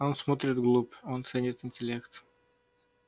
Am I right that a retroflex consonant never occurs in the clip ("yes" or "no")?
yes